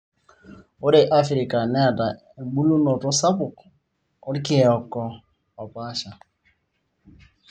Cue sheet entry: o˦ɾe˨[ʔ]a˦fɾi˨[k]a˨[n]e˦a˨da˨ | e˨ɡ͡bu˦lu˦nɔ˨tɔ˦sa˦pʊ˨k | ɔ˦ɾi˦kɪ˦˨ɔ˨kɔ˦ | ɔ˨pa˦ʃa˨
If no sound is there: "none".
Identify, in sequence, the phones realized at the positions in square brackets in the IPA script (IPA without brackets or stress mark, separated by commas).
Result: ʔ, k, n